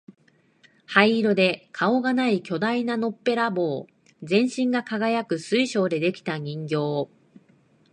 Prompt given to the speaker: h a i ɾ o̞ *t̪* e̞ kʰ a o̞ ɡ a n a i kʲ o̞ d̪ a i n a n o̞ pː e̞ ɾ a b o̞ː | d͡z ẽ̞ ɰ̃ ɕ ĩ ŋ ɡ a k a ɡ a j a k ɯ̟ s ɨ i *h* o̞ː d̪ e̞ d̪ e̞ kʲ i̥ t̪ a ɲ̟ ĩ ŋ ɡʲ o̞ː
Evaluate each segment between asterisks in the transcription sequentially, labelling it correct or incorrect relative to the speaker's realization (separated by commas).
incorrect, incorrect